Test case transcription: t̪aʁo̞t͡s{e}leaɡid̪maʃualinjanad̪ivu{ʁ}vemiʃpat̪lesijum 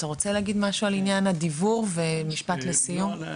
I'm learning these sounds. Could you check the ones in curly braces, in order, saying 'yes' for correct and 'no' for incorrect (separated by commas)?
yes, yes